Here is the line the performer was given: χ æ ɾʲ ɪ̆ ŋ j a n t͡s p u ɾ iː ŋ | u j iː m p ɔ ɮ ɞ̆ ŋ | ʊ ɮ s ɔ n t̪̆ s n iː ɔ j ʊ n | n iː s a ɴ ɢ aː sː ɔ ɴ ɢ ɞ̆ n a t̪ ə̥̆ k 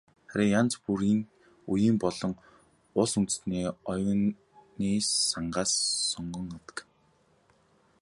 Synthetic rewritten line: χ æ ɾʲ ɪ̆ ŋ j a n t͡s p u ɾ iː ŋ | u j iː m p ɔ ɮ ɞ̆ ŋ | ʊ ɮ s u n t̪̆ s n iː ɔ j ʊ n | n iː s a ɴ ɢ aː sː ɔ ɴ ɢ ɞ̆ ŋ a t̪ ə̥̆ k